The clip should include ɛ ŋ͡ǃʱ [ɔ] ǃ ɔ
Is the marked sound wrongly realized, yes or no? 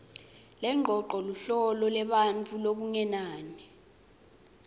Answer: no